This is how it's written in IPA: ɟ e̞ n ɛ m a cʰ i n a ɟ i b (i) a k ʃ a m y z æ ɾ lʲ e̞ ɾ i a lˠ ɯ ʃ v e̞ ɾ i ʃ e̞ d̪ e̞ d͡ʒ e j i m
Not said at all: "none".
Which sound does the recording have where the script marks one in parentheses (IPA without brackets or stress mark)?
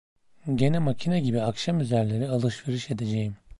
i